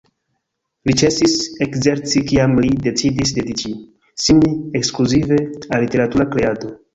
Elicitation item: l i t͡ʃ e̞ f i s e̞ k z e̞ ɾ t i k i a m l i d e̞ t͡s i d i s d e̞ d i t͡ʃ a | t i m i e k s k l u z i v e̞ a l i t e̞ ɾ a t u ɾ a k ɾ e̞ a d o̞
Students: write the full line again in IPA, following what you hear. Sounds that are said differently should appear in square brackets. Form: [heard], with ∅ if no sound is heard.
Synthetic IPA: l i t͡ʃ e̞ [s] i s e̞ k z e̞ ɾ [t͡s] i k i a m l i d e̞ t͡s i d i s d e̞ d i t͡ʃ [i] | [s] i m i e k s k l u z i v e̞ a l i t e̞ ɾ a t u ɾ a k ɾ e̞ a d o̞